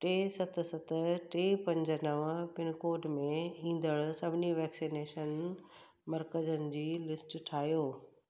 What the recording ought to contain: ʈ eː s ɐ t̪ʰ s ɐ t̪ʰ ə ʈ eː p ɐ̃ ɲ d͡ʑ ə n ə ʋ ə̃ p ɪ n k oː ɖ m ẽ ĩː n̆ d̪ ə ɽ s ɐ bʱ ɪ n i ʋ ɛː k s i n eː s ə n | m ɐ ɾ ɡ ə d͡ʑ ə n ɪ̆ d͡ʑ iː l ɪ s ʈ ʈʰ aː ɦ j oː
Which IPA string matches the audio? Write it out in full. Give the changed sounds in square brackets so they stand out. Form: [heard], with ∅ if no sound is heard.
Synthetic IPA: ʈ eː s ɐ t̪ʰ s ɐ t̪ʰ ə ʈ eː p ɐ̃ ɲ d͡ʑ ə n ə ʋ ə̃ p ɪ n k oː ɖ m ẽ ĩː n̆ d̪ ə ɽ s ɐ bʱ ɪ n i ʋ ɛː k s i n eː [ʃ] ə n | m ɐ ɾ [k] ə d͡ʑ ə n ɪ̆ d͡ʑ iː l ɪ s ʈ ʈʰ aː ɦ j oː